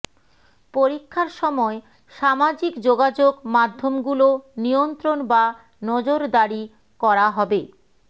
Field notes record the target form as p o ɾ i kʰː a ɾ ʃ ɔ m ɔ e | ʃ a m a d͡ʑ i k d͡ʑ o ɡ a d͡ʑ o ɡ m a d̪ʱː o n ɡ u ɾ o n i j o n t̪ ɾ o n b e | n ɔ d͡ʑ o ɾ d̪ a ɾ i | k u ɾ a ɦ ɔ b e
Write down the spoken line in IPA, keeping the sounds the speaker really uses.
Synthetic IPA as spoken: p o ɾ i kʰː a ɾ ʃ ɔ m ɔ e | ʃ a m a d͡ʑ i k d͡ʑ o ɡ a d͡ʑ o ɡ m a d̪ʱː o m ɡ u l o n i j o n t̪ ɾ o n b a | n ɔ d͡ʑ o ɾ d̪ a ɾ i | k ɔ ɾ a ɦ ɔ b e